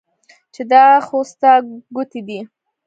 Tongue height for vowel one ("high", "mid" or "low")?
mid